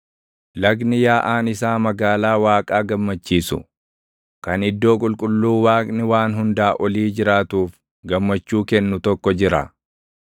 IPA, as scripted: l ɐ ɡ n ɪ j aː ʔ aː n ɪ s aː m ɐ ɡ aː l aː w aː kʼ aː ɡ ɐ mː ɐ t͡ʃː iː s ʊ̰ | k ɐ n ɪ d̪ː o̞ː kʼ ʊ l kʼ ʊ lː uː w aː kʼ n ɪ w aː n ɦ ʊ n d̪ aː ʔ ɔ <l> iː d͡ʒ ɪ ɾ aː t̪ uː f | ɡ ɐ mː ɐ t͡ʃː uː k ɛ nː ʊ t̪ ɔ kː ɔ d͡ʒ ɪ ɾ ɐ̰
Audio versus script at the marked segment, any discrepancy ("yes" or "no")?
no